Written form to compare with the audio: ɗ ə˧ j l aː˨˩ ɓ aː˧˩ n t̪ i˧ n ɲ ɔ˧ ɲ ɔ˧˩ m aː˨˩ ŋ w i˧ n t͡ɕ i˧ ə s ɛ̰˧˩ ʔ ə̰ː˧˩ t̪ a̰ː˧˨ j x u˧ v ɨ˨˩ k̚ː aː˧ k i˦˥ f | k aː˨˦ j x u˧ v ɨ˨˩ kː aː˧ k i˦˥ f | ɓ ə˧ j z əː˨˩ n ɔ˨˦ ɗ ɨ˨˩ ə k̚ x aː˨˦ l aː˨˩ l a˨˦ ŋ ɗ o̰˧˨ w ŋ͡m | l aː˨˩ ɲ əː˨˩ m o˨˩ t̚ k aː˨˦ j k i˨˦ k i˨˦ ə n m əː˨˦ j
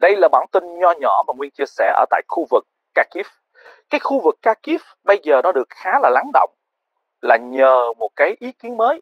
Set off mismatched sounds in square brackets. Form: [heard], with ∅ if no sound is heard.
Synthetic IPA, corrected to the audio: ɗ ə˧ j l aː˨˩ ɓ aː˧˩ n t̪ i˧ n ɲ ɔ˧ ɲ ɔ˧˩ m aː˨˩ ŋ w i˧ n t͡ɕ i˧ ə s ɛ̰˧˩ ʔ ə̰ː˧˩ t̪ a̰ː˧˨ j x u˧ v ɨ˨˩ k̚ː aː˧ k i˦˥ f | k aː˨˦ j x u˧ v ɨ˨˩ kː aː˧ k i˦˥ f | ɓ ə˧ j z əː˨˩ n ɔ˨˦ ɗ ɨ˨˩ ə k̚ x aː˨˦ l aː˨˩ l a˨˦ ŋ ɗ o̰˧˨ w ŋ͡m | l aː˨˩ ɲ əː˨˩ m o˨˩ t̚ k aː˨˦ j [ʔ] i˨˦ k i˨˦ ə n m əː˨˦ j